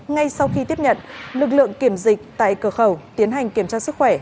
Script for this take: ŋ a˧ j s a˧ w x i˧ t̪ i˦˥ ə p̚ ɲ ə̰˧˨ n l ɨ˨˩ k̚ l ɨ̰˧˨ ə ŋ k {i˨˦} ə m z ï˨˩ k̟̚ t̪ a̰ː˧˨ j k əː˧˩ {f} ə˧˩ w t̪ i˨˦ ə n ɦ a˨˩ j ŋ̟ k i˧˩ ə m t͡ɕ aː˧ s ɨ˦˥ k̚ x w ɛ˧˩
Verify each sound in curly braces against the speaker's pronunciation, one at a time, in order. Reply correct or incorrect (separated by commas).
incorrect, incorrect